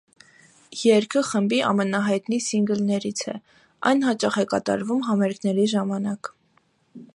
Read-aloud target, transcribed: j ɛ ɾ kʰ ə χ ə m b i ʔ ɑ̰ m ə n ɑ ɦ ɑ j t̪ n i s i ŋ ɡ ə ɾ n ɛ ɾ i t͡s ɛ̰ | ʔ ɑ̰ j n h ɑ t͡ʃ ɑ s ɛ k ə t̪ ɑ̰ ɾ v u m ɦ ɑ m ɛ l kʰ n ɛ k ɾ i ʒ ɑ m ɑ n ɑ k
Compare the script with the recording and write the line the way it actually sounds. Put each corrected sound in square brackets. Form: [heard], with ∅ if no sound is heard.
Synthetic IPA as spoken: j ɛ ɾ kʰ ə χ ə m b i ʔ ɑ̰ m ə n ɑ ɦ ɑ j t̪ n i s i ŋ ɡ ə [l] n ɛ ɾ i [t͡sʰ] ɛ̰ | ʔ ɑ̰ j n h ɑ t͡ʃ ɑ [χ] ɛ k [ɑ] t̪ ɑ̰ ɾ v u m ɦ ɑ m ɛ [ɾ] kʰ n ɛ [∅] ɾ i ʒ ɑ m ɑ n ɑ k